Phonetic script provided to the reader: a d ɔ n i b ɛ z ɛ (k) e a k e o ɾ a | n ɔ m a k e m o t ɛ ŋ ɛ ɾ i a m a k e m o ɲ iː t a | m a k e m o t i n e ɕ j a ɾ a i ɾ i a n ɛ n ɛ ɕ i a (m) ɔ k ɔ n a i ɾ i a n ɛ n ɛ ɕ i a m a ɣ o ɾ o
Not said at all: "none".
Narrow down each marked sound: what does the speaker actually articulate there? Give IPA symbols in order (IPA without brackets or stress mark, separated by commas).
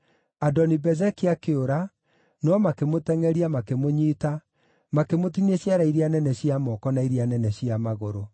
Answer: k, m